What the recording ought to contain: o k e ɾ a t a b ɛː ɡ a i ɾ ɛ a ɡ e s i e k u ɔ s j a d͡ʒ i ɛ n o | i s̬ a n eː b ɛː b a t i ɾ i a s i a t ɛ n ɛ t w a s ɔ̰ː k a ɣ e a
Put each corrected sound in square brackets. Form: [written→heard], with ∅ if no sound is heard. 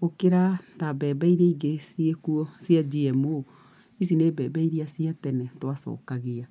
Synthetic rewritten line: o k e ɾ a t a b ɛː [ɡ→b] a i ɾ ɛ [a→i] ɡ e s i e k u ɔ s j a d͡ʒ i ɛ [n→m] o | i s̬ [a→i] n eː b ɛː b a [t→∅] i ɾ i a s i a t ɛ n ɛ t w a s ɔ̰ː k a ɣ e a